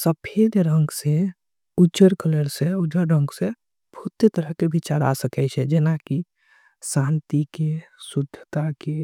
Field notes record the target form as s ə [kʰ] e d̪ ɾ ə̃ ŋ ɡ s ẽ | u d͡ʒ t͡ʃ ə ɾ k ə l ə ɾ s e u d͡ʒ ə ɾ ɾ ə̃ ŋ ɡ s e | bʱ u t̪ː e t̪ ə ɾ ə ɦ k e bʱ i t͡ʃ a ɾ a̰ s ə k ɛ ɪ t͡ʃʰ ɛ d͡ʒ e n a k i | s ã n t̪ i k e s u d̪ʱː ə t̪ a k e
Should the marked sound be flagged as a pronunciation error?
yes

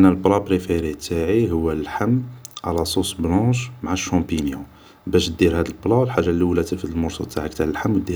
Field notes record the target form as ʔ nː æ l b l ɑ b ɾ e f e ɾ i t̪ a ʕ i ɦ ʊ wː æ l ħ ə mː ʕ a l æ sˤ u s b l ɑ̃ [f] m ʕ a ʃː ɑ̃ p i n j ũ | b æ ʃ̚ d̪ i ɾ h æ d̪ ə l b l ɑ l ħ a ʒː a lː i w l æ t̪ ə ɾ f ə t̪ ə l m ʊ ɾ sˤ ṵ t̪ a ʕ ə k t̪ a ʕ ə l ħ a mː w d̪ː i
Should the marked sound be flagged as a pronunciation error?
yes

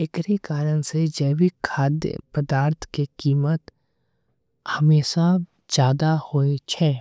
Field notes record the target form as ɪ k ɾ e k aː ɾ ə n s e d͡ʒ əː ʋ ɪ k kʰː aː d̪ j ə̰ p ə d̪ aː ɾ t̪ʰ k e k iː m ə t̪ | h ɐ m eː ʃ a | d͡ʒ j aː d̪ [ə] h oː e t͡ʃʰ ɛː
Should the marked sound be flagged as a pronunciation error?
yes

